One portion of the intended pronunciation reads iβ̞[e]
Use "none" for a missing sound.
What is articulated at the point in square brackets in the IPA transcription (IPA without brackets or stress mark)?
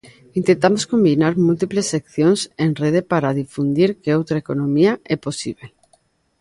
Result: e